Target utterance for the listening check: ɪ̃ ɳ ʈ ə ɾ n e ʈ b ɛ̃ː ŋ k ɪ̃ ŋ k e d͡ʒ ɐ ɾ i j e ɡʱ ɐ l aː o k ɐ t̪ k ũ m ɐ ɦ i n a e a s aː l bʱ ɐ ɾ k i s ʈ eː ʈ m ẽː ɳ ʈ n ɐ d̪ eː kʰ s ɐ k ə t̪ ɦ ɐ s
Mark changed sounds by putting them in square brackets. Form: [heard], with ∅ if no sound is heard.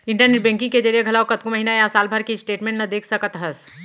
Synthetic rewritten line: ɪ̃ ɳ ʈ ə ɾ n e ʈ b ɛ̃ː ŋ k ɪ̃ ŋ k e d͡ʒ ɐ ɾ i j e ɡʱ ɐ l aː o k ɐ t̪ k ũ m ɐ ɦ i n a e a s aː l bʱ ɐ ɾ k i s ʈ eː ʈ m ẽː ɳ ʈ n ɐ d̪ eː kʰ s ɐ k ə t̪ ɦ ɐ s